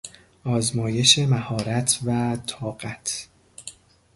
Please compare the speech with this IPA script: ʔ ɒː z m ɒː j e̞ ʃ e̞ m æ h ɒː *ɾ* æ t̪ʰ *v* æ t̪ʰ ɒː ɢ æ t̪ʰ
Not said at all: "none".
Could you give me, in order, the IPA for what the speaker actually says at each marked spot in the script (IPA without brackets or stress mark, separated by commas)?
ɾ, v